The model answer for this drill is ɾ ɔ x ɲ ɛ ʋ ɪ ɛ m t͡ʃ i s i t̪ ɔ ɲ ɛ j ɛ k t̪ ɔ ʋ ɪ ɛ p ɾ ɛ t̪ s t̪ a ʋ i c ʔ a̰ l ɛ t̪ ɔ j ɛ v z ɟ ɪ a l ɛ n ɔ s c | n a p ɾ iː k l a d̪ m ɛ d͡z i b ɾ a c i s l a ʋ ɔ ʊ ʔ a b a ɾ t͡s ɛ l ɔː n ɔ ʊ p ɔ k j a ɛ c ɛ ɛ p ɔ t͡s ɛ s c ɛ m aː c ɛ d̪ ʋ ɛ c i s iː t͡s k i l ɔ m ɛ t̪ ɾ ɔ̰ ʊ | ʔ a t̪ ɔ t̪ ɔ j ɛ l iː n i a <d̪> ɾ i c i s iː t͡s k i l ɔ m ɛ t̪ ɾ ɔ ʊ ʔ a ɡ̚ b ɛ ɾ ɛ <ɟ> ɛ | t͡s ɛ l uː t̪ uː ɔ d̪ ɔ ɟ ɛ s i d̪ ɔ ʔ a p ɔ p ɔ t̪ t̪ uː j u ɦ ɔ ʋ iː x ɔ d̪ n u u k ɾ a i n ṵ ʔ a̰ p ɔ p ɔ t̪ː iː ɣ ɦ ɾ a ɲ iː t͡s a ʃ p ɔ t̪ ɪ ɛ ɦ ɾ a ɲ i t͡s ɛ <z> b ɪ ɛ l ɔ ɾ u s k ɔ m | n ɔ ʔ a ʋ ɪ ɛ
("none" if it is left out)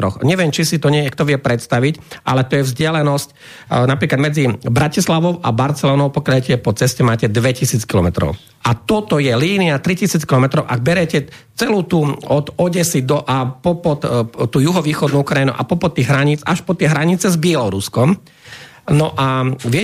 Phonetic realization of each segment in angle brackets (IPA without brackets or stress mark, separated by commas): t̪, c, z